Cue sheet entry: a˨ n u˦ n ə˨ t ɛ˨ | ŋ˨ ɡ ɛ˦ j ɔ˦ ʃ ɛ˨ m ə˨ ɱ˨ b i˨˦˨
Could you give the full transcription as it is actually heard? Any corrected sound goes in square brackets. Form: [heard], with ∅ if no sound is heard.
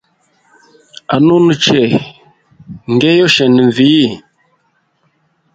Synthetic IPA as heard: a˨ n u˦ n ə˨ [t͡ʃ] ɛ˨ | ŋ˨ ɡ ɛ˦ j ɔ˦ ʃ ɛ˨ [n] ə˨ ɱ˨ [v] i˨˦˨